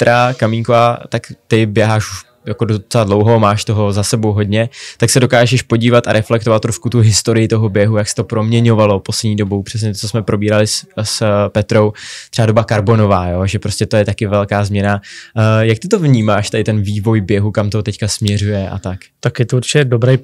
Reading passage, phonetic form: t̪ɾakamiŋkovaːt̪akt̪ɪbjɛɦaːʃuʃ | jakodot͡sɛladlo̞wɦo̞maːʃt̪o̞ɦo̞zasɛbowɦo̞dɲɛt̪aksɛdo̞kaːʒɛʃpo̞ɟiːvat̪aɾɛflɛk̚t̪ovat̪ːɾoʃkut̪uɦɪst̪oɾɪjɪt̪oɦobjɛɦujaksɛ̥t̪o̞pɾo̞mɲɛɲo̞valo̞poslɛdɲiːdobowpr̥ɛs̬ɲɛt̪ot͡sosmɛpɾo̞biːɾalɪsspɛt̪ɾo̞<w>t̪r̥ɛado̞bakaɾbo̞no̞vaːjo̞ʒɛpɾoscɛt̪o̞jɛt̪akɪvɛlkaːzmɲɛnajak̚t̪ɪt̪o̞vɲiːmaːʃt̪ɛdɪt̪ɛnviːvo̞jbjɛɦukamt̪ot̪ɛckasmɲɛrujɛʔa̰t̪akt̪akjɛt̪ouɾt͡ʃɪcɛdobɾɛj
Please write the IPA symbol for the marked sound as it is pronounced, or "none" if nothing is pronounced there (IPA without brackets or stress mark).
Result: w